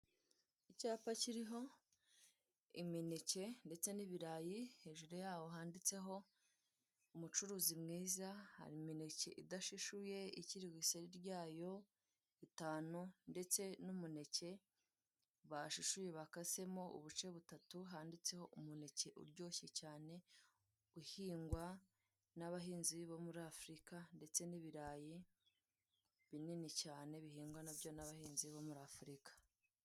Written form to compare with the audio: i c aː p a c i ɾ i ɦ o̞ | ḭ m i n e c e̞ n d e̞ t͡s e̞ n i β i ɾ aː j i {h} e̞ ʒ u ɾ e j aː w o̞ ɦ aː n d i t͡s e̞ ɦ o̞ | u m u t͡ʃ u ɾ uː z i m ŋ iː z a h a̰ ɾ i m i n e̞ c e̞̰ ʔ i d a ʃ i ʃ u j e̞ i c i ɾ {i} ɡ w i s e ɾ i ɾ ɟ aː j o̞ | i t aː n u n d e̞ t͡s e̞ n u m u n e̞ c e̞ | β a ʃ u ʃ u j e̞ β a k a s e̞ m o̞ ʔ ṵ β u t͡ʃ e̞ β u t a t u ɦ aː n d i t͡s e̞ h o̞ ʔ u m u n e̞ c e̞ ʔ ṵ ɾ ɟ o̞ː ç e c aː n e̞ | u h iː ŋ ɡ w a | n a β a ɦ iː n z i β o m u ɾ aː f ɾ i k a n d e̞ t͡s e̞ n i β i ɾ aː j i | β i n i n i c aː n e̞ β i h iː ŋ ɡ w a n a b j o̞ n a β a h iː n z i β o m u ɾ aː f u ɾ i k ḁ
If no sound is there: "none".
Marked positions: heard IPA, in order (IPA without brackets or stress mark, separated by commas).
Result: h, i